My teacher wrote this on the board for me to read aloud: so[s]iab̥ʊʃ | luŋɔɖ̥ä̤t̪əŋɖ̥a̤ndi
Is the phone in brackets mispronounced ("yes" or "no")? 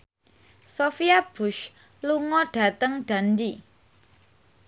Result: yes